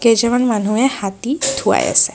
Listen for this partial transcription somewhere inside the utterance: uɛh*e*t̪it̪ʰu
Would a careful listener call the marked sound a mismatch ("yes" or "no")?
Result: yes